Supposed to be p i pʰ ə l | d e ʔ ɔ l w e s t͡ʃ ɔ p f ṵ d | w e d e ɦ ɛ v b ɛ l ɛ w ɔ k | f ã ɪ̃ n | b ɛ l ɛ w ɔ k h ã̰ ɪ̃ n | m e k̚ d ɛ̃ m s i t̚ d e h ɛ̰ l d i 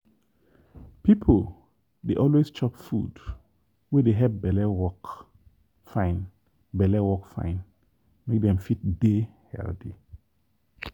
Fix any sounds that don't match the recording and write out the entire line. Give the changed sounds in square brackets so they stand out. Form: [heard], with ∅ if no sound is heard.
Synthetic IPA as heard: p i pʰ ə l | d e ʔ ɔ l w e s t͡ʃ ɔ p f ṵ d | w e d e ɦ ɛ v b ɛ l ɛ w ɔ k | f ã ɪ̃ n | b ɛ l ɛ w ɔ k [f] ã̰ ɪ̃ n | m e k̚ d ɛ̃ m [f] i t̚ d e h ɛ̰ l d i